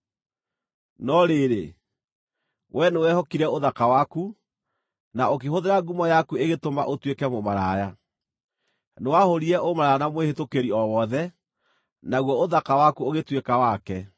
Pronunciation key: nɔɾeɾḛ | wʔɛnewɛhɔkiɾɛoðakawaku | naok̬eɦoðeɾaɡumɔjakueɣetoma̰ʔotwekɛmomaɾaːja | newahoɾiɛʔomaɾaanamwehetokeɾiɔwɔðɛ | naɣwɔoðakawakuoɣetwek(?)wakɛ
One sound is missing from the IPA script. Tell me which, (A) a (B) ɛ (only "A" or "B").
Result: A